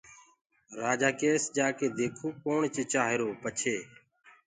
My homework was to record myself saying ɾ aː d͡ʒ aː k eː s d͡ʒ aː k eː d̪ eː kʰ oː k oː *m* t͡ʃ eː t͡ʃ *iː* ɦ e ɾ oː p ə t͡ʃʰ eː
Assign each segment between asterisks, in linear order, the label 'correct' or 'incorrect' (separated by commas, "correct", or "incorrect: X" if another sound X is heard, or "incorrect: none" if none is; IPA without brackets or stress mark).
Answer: incorrect: ɳ, incorrect: aː